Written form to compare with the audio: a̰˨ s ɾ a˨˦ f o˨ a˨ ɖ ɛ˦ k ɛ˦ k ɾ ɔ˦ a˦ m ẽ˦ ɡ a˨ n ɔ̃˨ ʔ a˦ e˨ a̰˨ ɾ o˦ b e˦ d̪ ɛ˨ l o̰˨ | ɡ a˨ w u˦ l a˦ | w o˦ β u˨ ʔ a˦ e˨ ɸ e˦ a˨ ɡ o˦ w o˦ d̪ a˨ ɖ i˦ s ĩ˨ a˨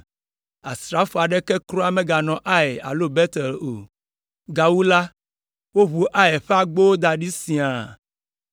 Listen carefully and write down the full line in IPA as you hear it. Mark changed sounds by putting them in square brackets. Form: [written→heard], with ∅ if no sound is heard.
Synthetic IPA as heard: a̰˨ s ɾ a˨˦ f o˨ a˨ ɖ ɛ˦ k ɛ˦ k ɾ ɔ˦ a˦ m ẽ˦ ɡ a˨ n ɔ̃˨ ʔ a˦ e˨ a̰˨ [ɾ→l] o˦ b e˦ [d̪→t̪] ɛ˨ l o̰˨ | ɡ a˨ w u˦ l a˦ | w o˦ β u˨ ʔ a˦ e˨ ɸ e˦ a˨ [ɡ→ɡ͡b] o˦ w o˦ d̪ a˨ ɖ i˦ s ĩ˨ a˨